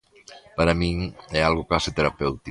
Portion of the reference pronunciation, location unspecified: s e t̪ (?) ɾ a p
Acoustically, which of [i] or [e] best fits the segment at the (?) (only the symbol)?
e